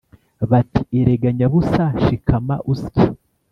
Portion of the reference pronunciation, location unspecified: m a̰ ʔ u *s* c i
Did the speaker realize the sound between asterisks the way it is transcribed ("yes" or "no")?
yes